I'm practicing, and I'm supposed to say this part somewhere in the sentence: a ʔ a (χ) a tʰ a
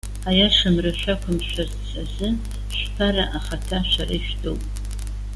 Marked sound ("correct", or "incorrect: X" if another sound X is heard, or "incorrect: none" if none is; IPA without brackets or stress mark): correct